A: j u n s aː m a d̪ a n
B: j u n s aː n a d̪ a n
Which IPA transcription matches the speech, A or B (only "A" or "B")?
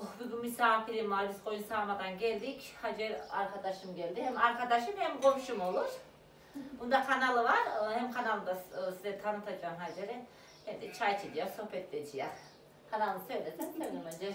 A